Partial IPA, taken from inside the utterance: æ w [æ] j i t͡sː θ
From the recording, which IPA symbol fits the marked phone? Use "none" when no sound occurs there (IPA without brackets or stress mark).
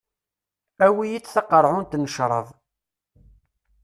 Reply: i